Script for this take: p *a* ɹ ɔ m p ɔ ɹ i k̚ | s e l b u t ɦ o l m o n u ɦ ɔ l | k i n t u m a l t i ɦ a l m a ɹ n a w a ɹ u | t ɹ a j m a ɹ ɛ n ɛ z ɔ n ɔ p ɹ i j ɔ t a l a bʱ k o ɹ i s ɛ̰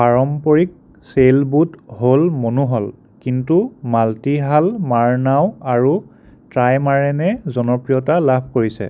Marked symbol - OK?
yes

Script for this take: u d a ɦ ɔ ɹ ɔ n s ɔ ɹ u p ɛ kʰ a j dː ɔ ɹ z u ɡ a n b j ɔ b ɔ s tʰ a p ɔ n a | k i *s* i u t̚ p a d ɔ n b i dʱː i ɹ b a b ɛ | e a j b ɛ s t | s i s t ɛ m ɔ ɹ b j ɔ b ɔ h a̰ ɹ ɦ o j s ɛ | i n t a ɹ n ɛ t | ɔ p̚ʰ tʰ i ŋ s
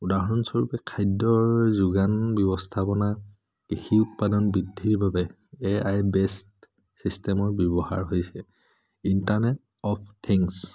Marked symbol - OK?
no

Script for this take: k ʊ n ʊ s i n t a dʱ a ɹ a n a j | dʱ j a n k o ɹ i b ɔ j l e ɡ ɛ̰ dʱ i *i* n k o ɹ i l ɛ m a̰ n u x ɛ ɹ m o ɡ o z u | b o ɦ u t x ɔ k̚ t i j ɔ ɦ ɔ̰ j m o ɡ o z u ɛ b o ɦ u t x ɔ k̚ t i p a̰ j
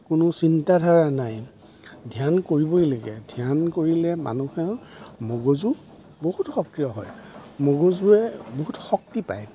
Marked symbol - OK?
no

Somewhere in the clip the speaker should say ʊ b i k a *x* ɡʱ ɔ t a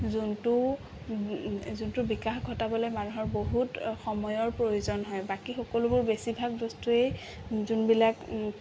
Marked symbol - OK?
yes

